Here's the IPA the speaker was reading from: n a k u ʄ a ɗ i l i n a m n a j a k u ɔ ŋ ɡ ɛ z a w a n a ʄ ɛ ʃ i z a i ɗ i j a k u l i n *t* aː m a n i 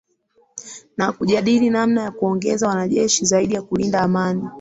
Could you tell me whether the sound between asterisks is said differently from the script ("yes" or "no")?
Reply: yes